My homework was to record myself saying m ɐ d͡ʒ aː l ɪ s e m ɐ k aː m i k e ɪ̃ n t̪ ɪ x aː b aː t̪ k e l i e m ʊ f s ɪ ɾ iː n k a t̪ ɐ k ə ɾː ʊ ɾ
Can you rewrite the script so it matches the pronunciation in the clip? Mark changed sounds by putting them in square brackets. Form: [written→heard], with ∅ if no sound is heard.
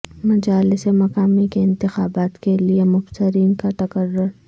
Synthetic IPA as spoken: m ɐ d͡ʒ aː l ɪ s e m ɐ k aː m i k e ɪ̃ n t̪ ɪ x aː b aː t̪ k e l i e m ʊ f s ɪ ɾ iː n k a t̪ ɐ k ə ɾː ʊ ɾ